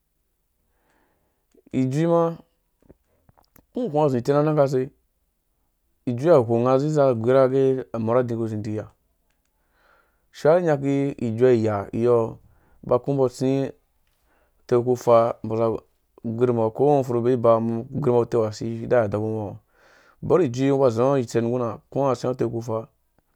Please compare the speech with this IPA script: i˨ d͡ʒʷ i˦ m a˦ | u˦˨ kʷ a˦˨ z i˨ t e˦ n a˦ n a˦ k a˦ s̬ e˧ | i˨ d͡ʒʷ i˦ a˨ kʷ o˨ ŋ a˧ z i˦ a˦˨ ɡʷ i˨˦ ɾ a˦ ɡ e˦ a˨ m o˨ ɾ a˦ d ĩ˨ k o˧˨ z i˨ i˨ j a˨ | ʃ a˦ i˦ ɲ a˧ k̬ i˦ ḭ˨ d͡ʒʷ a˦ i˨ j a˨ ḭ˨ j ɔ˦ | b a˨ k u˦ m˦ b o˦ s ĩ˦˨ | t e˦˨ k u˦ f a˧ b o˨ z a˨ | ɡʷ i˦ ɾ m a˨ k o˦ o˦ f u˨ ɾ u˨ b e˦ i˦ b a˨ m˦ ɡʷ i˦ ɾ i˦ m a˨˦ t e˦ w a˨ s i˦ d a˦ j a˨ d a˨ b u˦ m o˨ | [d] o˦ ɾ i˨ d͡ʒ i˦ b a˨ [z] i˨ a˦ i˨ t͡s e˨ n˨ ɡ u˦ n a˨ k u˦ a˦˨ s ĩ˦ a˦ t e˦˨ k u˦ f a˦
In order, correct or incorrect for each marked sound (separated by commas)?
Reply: incorrect, correct